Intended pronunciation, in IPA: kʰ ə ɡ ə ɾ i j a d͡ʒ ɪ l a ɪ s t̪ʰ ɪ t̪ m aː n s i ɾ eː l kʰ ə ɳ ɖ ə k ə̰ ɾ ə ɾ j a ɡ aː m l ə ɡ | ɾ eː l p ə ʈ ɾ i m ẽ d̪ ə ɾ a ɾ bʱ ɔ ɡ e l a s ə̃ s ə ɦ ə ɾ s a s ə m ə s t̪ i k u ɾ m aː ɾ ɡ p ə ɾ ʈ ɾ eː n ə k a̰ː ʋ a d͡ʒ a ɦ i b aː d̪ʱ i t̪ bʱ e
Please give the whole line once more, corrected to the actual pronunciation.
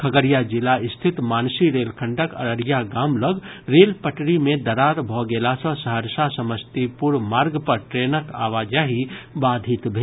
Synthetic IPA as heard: kʰ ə ɡ ə ɾ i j a d͡ʒ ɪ l a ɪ s t̪ʰ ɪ t̪ m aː n s i ɾ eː l kʰ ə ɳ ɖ ə k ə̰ ɾ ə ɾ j a ɡ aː m l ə ɡ | ɾ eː l p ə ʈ ɾ i m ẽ d̪ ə ɾ a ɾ bʱ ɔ ɡ e l a s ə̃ s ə ɦ ə ɾ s a s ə m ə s t̪ i p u ɾ m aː ɾ ɡ p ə ɾ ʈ ɾ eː n ə k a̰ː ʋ a d͡ʒ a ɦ i b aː d̪ʱ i t̪ bʱ e